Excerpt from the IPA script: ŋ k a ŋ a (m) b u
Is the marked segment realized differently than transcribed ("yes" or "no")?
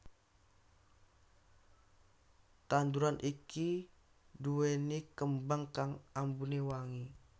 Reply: no